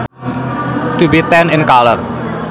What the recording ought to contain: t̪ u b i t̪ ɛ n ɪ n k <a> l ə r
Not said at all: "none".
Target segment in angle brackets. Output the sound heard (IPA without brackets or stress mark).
a